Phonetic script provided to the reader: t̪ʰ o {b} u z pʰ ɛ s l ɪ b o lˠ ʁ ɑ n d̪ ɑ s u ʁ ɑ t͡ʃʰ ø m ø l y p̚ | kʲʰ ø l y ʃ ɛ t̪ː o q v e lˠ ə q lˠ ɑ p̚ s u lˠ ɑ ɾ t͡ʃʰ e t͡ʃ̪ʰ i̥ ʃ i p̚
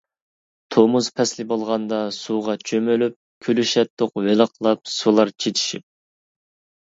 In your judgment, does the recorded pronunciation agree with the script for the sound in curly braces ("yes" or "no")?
no